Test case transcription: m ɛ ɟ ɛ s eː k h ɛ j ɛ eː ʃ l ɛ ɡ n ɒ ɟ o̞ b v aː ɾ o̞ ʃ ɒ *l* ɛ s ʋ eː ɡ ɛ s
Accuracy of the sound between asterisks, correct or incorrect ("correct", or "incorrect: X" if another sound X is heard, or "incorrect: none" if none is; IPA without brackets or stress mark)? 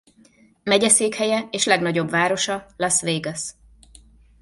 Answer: correct